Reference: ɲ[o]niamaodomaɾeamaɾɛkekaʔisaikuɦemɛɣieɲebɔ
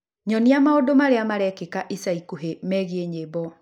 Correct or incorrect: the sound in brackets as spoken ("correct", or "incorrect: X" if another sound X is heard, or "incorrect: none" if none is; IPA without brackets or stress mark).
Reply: incorrect: ɔ